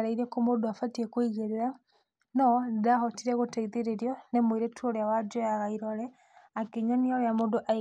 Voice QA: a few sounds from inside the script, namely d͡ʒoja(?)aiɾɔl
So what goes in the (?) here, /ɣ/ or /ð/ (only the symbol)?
ɣ